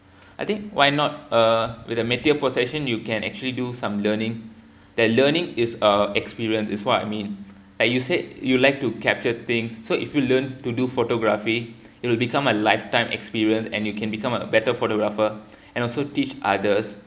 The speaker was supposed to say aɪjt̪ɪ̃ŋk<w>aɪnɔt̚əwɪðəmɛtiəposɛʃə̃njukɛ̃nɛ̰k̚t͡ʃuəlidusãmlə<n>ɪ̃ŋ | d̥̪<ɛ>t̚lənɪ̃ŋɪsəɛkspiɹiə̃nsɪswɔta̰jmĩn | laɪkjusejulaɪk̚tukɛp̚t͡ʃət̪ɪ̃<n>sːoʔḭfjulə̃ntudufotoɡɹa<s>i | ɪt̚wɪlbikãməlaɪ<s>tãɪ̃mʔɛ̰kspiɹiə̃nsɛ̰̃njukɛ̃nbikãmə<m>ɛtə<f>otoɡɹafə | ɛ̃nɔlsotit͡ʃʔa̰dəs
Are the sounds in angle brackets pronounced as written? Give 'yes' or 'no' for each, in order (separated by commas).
yes, yes, yes, no, no, no, no, yes